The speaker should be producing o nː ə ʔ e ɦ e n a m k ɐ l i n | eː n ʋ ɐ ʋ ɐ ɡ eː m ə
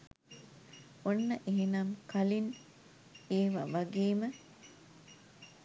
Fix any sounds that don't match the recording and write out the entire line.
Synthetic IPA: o nː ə ʔ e ɦ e n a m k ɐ l i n | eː ʋ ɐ ʋ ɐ ɡ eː m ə